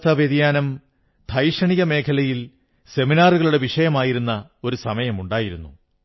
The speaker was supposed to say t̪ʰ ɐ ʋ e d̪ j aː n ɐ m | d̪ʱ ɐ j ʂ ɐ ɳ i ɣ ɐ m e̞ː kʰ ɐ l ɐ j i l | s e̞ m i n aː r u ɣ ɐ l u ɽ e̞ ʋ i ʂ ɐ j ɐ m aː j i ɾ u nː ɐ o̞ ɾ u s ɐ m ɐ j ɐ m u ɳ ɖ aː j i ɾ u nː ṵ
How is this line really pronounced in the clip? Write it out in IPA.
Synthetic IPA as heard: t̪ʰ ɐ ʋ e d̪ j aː n ɐ m | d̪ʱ ɐ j ʂ ɐ ɳ i ɣ ɐ m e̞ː kʰ ɐ l ɐ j i l | s e̞ m i n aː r u ɣ ɐ ɭ u ɽ e̞ ʋ i ʂ ɐ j ɐ m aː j i ɾ u nː ɐ o̞ ɾ u s ɐ m ɐ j ɐ m u ɳ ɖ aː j i ɾ u nː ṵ